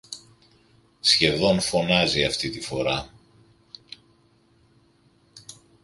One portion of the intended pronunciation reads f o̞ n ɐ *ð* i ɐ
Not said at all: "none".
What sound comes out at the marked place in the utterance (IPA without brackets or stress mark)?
z